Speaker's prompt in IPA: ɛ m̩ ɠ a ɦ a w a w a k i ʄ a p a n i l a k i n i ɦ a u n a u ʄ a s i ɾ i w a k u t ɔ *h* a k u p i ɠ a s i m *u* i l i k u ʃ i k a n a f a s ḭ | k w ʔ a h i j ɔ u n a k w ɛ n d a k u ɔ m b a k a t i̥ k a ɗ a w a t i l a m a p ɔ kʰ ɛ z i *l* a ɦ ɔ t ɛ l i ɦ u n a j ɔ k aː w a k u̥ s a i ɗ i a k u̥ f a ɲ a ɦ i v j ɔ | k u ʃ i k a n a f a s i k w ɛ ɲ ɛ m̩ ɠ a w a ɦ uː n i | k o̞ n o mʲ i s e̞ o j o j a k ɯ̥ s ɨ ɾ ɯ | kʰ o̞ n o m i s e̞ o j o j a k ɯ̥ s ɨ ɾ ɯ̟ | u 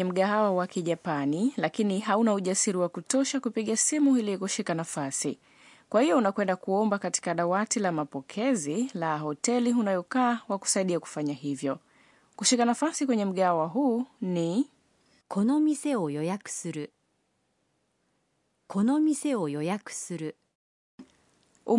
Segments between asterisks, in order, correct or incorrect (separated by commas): incorrect, correct, correct